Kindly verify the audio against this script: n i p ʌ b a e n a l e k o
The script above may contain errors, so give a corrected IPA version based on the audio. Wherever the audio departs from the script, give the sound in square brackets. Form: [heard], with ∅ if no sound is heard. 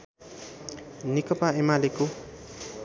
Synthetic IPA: n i [k] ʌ [p] a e [m] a l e k o